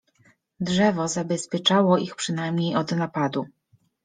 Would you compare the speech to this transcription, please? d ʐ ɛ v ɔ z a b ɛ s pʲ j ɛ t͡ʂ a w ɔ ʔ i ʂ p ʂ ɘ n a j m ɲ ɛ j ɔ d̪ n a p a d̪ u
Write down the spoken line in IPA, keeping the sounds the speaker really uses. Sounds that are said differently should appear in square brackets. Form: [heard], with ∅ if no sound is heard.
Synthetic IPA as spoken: d ʐ ɛ v ɔ z a b ɛ s pʲ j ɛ t͡ʂ a w ɔ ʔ i [x] p ʂ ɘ n a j m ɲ [e] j ɔ d̪ n a p a d̪ u